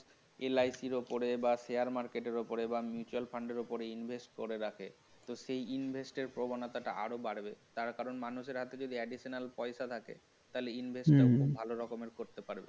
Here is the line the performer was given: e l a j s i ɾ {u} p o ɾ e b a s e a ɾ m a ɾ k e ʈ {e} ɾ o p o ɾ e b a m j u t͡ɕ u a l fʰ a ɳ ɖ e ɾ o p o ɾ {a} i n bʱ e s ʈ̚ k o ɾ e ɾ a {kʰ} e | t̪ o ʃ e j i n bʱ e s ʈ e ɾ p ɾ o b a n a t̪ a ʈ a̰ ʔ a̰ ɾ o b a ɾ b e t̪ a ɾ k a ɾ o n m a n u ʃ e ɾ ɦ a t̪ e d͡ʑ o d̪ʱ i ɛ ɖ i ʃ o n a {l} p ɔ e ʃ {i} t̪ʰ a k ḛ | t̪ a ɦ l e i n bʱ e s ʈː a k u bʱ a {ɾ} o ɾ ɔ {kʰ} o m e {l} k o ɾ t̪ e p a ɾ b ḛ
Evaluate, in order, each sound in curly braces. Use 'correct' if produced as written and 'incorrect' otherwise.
incorrect, correct, incorrect, correct, correct, incorrect, incorrect, incorrect, incorrect

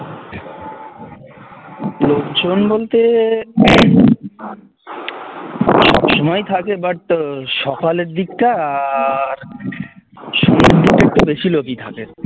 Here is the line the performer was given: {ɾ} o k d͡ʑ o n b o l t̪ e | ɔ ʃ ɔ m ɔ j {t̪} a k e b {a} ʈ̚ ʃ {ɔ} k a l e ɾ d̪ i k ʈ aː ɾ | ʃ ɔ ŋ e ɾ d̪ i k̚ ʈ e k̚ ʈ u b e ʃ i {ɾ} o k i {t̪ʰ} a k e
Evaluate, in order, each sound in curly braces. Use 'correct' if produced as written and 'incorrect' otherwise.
incorrect, incorrect, correct, correct, incorrect, correct

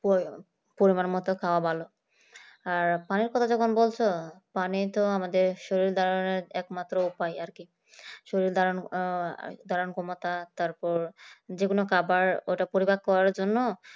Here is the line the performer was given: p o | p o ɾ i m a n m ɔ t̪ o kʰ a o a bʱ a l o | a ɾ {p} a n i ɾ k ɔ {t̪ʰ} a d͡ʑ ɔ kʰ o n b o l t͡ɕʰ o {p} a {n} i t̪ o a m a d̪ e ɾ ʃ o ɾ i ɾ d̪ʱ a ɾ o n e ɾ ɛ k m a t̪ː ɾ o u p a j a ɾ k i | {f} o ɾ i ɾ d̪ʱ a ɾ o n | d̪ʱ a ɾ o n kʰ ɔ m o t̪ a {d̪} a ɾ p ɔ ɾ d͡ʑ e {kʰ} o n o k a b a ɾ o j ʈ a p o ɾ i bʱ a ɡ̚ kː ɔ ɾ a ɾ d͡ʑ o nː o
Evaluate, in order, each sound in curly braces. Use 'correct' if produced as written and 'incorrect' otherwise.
correct, correct, correct, correct, incorrect, incorrect, incorrect

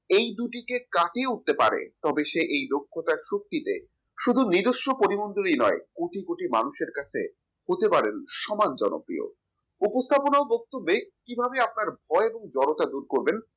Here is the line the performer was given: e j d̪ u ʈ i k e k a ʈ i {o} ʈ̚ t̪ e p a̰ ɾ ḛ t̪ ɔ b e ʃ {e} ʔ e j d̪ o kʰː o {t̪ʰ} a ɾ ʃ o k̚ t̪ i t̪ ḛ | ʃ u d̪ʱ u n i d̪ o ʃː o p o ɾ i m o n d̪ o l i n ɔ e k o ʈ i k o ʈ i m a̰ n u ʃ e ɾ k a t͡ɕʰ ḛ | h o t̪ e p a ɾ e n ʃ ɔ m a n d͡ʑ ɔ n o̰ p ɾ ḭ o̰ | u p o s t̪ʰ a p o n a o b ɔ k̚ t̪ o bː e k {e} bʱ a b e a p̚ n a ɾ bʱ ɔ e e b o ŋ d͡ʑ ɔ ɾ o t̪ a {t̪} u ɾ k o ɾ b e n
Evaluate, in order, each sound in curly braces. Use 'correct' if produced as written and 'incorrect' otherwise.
incorrect, correct, incorrect, incorrect, incorrect

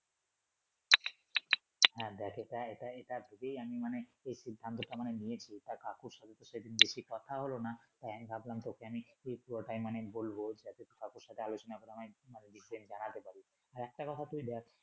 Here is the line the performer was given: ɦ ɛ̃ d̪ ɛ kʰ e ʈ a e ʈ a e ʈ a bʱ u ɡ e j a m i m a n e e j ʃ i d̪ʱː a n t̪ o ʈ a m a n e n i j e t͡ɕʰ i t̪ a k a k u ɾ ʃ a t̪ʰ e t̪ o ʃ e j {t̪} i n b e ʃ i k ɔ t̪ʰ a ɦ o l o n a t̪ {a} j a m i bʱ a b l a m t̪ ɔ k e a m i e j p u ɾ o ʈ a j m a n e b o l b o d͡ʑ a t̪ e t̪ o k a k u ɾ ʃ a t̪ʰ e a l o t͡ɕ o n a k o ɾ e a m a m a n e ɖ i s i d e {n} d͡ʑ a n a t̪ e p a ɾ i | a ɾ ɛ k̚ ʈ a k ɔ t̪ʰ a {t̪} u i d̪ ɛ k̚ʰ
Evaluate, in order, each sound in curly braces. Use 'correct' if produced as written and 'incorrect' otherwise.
incorrect, correct, correct, correct

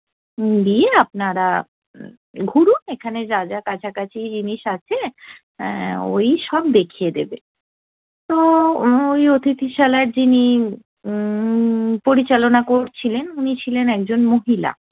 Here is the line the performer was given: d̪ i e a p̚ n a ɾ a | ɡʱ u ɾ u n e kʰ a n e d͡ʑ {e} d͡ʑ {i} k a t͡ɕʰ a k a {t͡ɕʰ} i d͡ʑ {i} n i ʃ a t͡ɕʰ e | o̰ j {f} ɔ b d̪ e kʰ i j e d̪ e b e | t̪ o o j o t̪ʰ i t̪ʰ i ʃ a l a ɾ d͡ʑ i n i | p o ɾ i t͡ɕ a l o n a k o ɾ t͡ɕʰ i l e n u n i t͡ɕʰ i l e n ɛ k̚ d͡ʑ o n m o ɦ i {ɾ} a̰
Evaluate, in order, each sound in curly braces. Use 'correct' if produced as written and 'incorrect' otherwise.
incorrect, incorrect, correct, correct, incorrect, incorrect

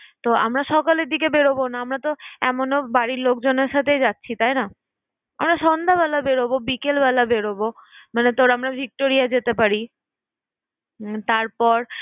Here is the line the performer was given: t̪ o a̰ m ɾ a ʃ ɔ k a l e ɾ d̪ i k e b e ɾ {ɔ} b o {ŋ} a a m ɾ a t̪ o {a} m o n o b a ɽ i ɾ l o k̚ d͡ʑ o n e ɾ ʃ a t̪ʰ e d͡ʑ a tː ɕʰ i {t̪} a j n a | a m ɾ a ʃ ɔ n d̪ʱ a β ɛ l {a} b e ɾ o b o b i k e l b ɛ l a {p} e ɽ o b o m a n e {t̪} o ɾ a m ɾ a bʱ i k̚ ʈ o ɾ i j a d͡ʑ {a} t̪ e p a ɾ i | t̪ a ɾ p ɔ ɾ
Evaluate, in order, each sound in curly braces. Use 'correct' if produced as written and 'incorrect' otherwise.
incorrect, incorrect, incorrect, correct, correct, incorrect, correct, incorrect

